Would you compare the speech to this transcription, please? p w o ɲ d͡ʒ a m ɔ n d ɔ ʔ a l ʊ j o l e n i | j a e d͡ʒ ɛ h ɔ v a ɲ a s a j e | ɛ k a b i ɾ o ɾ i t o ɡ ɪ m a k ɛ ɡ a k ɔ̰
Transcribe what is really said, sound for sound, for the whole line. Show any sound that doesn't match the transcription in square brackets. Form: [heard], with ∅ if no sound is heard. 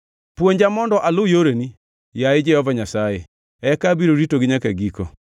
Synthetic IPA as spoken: p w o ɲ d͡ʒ a m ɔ n d ɔ ʔ a l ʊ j o [ɾ] e n i | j a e d͡ʒ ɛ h ɔ v a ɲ a s a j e | ɛ k a b i ɾ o ɾ i t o ɡ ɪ [ɲ] a k ɛ ɡ [i] k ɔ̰